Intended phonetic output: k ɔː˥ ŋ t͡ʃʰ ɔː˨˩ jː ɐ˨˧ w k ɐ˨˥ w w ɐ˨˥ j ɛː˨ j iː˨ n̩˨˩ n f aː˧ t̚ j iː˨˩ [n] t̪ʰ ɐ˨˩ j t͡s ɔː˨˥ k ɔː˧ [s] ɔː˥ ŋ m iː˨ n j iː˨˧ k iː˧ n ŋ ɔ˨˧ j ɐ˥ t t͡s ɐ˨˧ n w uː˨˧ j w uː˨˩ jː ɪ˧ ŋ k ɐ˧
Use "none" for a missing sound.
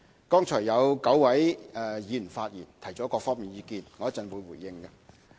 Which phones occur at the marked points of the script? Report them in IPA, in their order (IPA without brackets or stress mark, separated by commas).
n, f